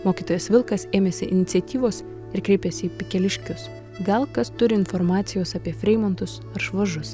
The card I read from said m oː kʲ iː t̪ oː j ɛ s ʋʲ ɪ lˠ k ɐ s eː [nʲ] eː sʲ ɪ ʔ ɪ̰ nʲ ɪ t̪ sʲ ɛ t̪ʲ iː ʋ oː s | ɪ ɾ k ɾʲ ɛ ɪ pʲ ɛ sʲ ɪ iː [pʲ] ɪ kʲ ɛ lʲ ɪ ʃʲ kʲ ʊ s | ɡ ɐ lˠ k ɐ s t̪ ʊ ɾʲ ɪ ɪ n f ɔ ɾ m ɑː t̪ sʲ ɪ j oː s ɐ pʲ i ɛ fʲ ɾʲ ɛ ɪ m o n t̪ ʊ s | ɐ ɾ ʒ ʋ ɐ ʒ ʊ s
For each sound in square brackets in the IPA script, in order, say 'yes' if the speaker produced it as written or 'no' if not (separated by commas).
no, yes